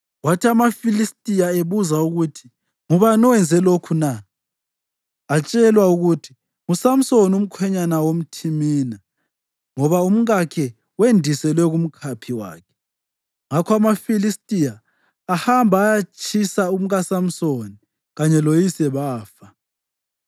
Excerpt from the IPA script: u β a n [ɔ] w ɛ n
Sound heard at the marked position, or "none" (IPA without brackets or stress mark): ɔ